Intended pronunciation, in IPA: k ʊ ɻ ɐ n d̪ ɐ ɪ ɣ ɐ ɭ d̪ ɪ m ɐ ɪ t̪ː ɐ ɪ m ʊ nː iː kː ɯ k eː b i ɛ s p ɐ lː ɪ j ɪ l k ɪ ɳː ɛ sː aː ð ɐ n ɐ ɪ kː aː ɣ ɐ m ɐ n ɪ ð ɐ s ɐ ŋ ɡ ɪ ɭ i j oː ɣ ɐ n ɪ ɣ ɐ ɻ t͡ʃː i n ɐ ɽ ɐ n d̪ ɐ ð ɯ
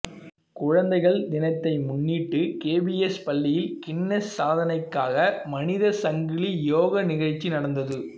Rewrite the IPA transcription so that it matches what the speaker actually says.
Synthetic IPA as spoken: k ʊ ɻ ɐ n d̪ ɐ ɪ ɣ ɐ ɭ d̪ ɪ n ɐ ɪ t̪ː ɐ ɪ m ʊ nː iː ʈː ɯ k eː b i ɛ s p ɐ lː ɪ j ɪ l k ɪ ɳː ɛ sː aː ð ɐ n ɐ ɪ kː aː ɣ ɐ m ɐ n ɪ ð ɐ s ɐ ŋ ɡ ɪ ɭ i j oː ɣ ɐ n ɪ ɣ ɐ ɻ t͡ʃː i n ɐ ɽ ɐ n d̪ ɐ ð ɯ